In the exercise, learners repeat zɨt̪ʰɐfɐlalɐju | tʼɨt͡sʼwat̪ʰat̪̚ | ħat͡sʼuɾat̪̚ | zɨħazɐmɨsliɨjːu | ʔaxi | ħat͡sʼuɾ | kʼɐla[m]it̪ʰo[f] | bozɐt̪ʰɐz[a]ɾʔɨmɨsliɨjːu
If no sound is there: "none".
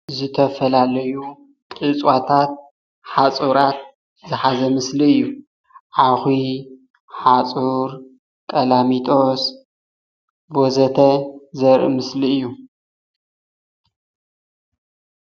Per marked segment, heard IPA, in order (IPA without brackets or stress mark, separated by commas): m, s, ɐ